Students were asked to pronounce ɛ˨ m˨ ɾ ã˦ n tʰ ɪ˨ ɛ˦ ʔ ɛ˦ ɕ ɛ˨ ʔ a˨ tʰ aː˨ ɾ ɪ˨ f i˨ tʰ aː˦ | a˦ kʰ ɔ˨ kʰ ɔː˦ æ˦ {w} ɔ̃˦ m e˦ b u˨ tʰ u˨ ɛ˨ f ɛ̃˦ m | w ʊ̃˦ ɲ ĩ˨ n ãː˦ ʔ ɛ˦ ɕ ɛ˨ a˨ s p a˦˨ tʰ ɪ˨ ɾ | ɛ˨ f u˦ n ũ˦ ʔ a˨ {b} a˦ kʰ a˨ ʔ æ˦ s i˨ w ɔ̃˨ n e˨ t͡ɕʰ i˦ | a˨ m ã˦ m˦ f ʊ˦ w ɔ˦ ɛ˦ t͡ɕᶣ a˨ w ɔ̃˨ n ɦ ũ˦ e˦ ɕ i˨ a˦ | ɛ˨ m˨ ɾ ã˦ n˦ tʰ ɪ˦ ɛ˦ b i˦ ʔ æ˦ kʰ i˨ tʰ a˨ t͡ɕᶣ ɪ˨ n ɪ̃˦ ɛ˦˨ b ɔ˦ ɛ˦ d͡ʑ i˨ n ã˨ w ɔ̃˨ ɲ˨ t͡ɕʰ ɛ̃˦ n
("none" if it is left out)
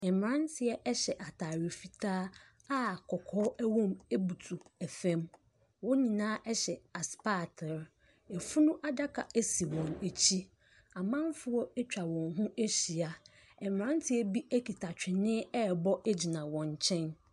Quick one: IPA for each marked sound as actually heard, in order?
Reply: w, d

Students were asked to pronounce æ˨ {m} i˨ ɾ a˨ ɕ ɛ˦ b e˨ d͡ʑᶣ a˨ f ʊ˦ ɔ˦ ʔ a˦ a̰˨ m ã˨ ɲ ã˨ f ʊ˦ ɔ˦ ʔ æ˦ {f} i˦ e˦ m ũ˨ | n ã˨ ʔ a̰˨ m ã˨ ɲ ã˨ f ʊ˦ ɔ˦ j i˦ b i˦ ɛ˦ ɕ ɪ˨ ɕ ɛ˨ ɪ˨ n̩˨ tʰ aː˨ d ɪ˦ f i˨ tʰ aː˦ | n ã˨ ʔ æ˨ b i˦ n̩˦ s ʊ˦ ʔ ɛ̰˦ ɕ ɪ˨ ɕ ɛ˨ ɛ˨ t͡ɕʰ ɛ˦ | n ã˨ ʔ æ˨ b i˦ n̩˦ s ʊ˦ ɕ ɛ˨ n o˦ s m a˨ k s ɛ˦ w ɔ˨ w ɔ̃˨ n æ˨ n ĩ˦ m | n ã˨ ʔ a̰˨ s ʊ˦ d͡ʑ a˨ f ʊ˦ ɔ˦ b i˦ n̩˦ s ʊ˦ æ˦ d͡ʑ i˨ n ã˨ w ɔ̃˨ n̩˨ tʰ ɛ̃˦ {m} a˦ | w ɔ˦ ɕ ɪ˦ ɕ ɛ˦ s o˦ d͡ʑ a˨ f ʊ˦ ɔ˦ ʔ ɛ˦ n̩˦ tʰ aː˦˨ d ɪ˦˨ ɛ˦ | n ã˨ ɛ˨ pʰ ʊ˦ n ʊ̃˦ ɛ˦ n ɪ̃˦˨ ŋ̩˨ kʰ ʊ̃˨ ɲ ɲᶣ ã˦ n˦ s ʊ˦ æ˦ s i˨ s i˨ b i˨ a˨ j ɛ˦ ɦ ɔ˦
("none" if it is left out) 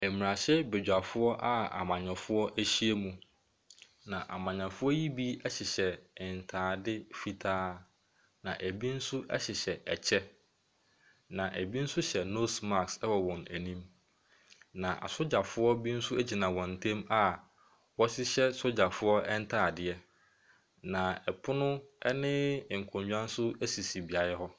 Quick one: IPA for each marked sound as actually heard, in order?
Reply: m, ɕ, m

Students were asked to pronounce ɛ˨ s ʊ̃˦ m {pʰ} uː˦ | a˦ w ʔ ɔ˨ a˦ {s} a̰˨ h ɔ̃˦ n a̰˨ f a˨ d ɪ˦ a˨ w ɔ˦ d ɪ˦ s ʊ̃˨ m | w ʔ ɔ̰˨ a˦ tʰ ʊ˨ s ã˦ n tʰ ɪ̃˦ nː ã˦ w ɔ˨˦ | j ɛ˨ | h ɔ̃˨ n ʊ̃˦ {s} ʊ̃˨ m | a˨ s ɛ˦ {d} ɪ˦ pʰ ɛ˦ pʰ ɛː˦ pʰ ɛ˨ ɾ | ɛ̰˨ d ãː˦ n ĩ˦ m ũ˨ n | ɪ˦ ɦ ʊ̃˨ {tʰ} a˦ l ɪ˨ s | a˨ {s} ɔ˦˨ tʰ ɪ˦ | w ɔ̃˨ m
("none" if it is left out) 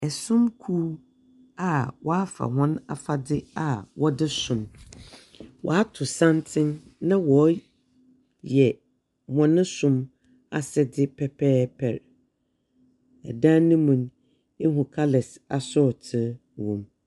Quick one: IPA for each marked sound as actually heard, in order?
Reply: kʰ, f, s, d, kʰ, s

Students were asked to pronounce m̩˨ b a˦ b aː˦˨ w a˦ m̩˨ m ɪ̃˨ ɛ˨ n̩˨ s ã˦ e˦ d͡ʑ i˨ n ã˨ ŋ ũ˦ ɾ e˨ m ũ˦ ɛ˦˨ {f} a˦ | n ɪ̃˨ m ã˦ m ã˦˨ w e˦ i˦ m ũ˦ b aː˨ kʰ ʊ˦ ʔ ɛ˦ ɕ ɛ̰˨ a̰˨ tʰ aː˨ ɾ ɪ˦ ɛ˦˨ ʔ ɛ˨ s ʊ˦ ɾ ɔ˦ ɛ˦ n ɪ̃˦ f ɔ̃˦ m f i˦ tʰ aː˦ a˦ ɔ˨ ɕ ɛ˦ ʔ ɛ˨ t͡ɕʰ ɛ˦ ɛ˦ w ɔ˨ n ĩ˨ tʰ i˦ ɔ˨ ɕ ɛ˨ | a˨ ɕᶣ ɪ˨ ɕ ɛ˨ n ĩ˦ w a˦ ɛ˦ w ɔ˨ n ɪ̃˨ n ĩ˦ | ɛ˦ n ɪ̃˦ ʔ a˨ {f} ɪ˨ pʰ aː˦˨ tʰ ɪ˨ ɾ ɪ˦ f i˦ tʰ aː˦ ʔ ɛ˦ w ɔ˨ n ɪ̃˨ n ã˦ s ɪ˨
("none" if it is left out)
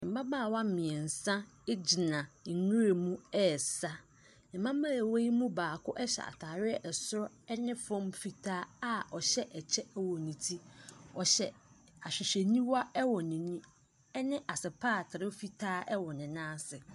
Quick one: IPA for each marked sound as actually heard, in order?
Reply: s, s

